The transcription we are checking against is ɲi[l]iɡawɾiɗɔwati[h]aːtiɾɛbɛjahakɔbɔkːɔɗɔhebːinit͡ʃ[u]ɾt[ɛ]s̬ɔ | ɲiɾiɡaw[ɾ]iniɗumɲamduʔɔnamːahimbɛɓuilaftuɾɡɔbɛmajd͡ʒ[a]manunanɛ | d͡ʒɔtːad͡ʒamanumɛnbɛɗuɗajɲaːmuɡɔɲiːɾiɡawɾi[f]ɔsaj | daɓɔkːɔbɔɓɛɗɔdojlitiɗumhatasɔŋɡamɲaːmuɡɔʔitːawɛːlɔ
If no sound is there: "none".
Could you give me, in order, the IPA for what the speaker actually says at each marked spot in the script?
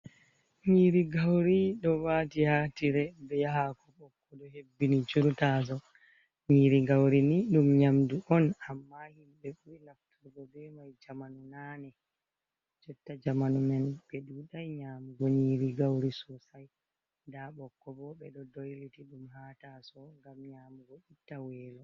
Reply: ɾ, h, u, a, ɾ, a, s

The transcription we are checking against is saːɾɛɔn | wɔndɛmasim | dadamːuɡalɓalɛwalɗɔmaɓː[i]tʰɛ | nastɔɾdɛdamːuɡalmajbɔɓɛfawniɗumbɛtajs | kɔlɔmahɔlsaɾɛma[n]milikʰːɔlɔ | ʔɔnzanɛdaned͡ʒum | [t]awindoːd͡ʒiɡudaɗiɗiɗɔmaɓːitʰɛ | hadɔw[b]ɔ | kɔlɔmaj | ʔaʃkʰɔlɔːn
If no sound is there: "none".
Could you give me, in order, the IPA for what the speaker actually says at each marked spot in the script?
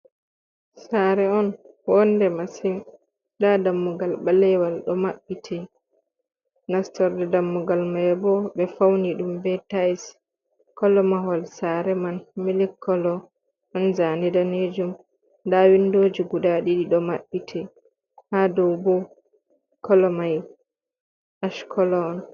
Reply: i, n, d, b

